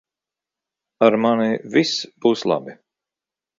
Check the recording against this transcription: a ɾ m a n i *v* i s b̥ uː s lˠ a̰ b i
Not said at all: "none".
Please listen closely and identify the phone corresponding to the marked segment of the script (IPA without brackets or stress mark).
v